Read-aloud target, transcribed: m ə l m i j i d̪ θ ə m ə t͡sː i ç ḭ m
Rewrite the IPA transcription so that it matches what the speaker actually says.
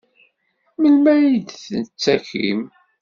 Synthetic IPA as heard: m ə l m æ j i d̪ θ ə n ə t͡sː æ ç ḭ m